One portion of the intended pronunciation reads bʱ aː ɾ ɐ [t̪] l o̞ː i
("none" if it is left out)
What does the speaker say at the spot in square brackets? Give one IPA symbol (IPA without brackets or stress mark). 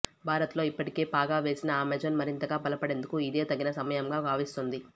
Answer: t̪